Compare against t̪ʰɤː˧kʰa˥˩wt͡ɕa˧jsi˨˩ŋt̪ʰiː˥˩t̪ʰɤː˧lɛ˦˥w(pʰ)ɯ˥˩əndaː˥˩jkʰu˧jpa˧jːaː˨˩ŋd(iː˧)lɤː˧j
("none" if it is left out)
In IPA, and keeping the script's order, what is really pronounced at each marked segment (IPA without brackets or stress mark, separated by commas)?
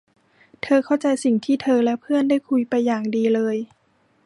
pʰ, iː˧